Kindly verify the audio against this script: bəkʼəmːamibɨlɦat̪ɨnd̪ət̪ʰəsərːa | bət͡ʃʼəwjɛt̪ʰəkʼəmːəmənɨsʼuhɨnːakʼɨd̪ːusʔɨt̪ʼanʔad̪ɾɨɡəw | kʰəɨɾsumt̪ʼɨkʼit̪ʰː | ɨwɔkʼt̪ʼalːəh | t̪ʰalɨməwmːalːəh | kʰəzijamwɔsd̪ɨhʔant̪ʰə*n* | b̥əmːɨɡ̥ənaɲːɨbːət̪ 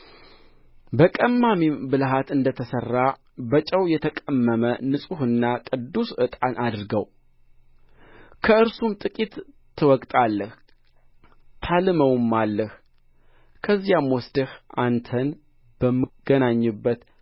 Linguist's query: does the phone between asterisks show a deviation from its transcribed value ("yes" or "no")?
no